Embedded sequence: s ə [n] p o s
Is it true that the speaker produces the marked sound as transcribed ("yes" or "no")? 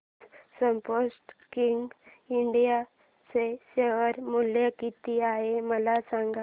no